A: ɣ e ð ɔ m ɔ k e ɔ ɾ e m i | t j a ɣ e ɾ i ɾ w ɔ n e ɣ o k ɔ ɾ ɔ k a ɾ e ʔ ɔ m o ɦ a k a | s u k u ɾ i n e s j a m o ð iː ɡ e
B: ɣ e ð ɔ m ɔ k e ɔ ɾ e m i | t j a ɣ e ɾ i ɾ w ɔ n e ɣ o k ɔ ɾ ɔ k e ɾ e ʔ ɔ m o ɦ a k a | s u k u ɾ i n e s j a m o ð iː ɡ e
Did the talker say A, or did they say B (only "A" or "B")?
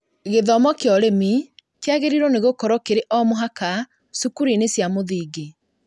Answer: B